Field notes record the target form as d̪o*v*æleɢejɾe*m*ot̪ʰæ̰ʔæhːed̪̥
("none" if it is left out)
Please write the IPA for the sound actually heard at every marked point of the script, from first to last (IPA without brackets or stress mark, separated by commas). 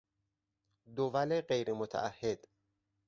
v, m